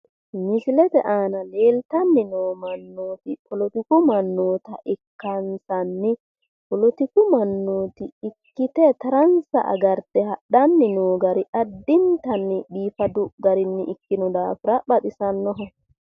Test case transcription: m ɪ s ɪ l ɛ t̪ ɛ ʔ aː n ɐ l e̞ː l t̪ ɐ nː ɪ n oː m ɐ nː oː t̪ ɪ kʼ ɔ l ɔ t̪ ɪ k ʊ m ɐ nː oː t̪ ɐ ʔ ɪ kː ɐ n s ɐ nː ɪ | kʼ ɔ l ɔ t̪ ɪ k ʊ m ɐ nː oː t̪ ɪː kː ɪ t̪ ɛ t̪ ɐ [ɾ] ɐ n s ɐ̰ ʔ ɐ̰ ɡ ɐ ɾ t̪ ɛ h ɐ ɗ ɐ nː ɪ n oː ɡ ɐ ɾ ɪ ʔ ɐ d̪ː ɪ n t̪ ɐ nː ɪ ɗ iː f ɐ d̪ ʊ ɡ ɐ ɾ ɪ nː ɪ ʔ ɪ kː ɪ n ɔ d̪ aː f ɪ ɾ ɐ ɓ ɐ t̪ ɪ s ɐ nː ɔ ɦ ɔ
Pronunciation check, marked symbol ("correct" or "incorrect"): correct